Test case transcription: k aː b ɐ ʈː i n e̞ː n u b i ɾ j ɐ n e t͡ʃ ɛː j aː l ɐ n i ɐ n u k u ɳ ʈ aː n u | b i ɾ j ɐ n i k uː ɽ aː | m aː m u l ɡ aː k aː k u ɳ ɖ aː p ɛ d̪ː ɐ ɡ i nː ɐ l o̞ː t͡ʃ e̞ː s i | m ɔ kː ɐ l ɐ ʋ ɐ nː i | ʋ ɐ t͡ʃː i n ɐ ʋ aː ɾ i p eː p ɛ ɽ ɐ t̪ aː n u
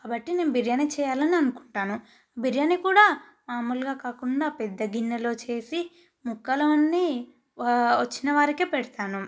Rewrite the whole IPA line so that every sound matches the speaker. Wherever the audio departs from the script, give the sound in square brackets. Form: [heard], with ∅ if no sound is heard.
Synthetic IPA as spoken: k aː b ɐ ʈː i n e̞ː n u b i ɾ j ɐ n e t͡ʃ ɛː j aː l ɐ n i ɐ n u k u ɳ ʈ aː n u | b i ɾ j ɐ n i k uː ɽ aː | m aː m u l ɡ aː k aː k u ɳ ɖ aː p ɛ d̪ː ɐ ɡ i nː ɐ l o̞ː t͡ʃ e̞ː s i | m [u] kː ɐ l ɐ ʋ ɐ nː i | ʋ ɐ t͡ʃː i n ɐ ʋ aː ɾ i [k] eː p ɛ ɽ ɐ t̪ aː n u